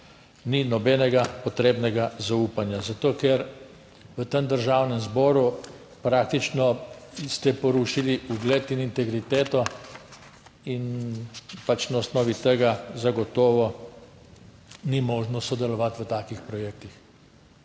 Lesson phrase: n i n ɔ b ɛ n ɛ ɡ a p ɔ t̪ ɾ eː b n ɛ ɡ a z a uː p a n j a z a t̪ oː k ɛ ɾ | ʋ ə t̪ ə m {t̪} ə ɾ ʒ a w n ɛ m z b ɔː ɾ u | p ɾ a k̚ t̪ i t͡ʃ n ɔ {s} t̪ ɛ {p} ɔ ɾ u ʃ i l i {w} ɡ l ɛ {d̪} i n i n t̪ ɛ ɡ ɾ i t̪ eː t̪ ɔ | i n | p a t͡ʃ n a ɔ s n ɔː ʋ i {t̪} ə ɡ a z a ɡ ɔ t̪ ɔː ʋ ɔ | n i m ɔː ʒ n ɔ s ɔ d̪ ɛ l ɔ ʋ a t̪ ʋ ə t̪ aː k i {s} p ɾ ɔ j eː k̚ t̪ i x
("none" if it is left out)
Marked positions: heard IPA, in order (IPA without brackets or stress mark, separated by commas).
d̪, s, p, u, t̪, t̪, x